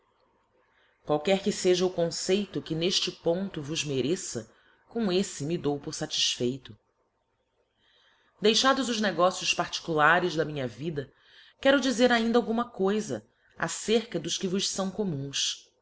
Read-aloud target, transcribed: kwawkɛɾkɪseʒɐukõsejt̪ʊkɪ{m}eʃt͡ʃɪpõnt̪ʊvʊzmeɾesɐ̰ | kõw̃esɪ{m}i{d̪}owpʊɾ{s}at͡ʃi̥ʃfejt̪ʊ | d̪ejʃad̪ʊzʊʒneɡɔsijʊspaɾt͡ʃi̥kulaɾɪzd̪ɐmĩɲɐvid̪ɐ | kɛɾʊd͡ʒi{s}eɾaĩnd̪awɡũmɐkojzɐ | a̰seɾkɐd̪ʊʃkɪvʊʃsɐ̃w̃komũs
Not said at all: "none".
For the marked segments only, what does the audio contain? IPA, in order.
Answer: n, m, d̪, s, z

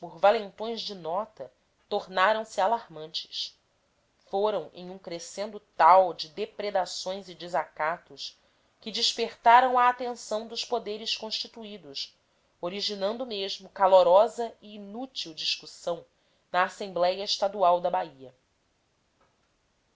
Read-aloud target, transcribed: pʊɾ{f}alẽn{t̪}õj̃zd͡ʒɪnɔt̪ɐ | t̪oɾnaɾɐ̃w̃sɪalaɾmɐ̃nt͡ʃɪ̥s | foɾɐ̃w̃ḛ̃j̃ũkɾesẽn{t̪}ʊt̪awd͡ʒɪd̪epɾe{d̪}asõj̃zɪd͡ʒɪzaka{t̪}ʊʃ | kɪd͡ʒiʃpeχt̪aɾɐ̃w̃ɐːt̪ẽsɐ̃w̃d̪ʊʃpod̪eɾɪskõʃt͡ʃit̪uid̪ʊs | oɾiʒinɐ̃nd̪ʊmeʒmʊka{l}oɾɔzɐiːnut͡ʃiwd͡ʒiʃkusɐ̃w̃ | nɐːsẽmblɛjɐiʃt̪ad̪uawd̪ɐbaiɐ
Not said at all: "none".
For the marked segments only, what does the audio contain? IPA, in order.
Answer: v, t̪, d̪, d̪, t̪, l

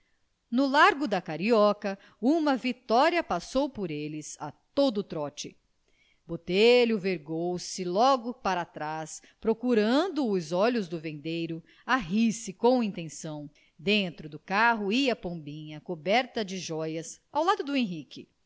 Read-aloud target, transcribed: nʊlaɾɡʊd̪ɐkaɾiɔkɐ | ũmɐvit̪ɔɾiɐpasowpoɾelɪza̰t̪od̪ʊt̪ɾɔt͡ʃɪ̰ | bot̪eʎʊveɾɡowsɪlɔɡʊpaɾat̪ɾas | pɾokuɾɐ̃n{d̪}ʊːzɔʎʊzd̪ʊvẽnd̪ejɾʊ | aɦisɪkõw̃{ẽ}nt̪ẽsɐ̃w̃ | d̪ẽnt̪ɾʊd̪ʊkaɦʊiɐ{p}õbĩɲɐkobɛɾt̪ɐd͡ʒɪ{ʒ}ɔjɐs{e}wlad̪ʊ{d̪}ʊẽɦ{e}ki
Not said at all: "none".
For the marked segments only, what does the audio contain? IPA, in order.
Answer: d̪, ĩ, p, ʒ, a, d̪, i

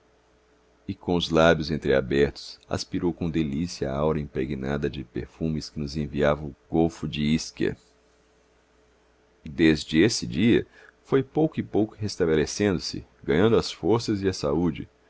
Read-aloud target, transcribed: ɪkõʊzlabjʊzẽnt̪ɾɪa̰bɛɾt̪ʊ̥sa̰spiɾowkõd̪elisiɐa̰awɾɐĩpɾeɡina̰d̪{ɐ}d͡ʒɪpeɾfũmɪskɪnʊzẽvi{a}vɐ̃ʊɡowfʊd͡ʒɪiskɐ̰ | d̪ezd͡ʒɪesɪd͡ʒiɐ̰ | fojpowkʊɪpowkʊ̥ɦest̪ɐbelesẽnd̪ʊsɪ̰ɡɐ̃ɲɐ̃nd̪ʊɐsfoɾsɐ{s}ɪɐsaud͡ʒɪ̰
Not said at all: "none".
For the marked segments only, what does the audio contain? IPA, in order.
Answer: ɐ, a, z

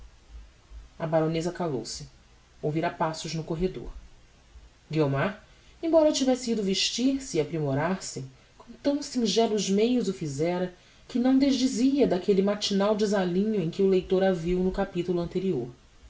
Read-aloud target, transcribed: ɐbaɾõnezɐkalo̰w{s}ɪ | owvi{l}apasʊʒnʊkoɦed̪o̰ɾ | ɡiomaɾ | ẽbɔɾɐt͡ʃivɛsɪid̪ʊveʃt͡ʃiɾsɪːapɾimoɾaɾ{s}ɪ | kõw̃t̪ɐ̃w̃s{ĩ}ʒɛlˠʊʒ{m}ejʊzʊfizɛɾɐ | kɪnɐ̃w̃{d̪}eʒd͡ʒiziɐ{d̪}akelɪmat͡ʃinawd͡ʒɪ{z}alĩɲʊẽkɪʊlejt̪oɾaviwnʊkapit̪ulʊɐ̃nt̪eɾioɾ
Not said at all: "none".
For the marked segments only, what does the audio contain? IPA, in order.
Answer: s, ɾ, s, ĩ, m, d̪, d̪, z

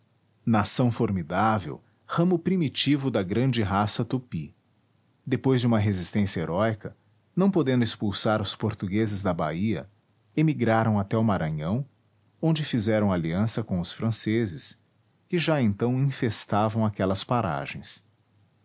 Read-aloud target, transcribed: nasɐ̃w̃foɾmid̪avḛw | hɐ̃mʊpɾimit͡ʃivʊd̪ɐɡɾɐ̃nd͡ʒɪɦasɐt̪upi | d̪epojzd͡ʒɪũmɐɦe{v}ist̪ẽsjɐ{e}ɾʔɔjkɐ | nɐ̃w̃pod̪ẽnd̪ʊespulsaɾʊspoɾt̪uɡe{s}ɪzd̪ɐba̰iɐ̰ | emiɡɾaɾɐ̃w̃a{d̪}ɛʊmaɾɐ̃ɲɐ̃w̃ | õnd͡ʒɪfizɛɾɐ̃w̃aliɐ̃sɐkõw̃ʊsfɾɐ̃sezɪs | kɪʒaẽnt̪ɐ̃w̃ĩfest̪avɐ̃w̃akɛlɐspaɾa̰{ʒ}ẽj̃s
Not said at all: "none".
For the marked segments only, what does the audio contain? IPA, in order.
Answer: z, e, z, t̪, ʒ

